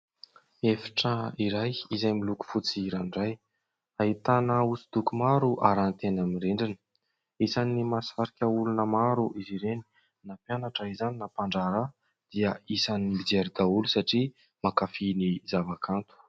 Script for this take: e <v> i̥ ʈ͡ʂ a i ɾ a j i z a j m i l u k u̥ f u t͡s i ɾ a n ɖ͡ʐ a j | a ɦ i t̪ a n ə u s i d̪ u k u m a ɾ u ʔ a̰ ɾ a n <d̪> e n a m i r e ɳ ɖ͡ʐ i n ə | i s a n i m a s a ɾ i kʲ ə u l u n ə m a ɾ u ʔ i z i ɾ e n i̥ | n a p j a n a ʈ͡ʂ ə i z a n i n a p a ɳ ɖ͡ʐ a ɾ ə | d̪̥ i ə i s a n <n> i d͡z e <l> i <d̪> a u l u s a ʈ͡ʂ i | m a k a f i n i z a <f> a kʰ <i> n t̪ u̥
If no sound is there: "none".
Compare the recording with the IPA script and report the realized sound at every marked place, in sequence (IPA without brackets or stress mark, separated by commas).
f, t̪, m, ɾ, d̪, v, a